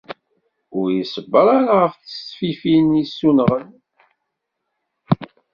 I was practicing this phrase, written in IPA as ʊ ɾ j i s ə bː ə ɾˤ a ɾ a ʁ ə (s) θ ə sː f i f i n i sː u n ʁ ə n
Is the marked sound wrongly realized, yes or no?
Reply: yes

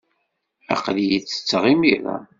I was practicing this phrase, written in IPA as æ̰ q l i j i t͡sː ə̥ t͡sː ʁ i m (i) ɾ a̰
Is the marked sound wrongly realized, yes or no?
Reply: no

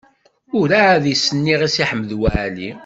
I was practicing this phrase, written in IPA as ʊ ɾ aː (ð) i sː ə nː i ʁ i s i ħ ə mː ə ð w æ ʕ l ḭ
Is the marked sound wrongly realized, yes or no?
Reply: no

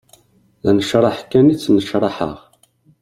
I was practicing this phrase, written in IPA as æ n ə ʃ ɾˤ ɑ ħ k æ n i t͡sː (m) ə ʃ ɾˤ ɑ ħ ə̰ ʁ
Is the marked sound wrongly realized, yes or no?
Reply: yes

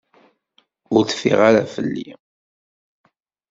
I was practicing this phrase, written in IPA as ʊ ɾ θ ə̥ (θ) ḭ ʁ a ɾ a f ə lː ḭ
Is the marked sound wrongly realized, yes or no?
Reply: yes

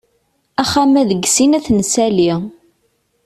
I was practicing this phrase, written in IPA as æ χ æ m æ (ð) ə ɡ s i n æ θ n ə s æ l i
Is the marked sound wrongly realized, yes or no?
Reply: no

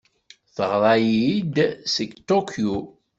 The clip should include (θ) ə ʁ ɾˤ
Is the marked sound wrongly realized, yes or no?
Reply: no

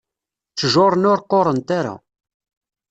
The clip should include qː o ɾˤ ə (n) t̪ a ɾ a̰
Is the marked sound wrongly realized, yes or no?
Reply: no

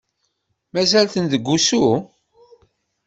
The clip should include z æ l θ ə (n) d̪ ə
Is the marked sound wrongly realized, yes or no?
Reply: no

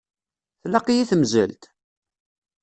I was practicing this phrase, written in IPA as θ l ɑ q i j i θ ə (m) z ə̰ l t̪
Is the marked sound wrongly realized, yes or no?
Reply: no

